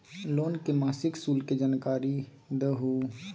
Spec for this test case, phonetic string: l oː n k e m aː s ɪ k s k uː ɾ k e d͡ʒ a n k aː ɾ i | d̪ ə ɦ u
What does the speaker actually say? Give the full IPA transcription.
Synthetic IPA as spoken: l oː n k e m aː s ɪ k s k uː l k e d͡ʒ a n k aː ɾ i | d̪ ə ɦ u